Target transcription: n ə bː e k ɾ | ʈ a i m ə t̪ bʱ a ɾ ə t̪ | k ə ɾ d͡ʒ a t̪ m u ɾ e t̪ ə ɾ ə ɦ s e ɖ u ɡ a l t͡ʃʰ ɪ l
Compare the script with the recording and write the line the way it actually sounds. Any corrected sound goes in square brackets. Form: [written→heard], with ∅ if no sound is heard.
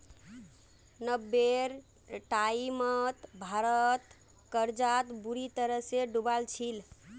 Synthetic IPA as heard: n ə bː e [k→∅] ɾ | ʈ a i m ə t̪ bʱ a ɾ ə t̪ | k ə ɾ d͡ʒ a t̪ [m→b] u ɾ [e→i] t̪ ə ɾ ə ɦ s e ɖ u [ɡ→b] a l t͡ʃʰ [ɪ→i] l